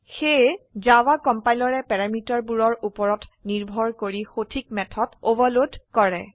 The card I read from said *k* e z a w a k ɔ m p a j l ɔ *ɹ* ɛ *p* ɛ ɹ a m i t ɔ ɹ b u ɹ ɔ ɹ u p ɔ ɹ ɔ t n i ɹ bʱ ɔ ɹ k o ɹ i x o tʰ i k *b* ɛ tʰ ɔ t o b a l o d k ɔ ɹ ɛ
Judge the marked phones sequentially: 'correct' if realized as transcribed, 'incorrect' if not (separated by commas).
incorrect, correct, correct, incorrect